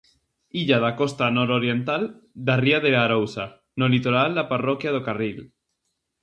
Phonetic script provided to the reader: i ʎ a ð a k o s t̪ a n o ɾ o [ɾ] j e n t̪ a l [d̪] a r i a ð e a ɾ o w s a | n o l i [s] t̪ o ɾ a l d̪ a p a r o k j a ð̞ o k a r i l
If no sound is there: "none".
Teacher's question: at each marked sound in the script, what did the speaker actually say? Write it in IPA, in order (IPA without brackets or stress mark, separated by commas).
ɾ, d̪, none